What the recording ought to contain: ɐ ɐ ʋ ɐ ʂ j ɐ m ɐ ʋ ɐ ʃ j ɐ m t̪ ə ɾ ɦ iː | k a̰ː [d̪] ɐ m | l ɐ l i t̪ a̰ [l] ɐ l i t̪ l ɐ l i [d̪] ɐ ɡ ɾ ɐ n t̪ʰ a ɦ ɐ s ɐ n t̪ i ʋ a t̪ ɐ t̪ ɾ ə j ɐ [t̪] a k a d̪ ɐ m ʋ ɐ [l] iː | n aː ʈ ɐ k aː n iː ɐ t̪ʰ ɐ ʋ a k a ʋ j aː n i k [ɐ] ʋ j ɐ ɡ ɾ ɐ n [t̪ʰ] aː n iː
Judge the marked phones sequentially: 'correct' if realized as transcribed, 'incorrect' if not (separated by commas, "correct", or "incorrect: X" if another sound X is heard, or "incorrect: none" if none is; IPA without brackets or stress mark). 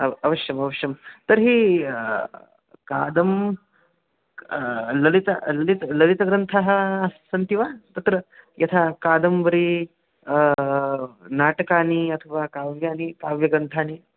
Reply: correct, correct, incorrect: t̪, incorrect: t̪ʰ, incorrect: ɾ, incorrect: a, correct